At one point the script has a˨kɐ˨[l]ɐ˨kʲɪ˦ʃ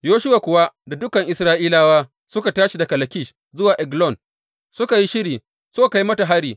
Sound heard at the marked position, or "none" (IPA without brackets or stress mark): l